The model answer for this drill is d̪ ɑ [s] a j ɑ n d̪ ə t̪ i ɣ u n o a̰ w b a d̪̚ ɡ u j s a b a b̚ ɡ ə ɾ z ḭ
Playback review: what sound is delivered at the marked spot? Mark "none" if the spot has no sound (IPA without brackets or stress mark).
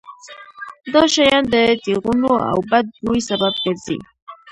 ʃ